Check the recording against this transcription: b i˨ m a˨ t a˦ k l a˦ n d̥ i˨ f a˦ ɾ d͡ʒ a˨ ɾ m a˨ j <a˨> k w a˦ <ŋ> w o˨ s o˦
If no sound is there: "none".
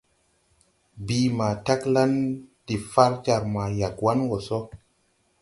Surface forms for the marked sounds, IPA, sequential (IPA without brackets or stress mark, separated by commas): a˨, n